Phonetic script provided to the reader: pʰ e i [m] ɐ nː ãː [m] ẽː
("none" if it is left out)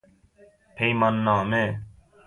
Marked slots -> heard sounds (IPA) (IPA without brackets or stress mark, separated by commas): m, m